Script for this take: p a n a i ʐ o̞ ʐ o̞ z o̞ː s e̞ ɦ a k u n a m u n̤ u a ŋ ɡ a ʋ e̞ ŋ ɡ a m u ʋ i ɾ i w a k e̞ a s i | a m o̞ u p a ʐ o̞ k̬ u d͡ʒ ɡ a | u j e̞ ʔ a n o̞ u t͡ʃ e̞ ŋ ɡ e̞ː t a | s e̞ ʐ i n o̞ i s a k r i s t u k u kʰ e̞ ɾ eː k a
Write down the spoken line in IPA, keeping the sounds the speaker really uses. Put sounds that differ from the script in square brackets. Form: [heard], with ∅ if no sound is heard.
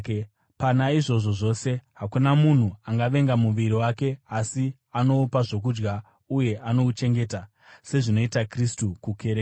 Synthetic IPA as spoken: p a n a i ʐ o̞ ʐ o̞ [ʐ] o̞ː s e̞ ɦ a k u n a m u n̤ u a ŋ ɡ a ʋ e̞ ŋ ɡ a m u ʋ i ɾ i w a k e̞ a s i | a [n] o̞ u p a ʐ o̞ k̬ u d͡ʒ ɡ a | u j e̞ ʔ a n o̞ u t͡ʃ e̞ ŋ ɡ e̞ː t a | s e̞ ʐ i n o̞ i [t] a k r i s t u k u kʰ e̞ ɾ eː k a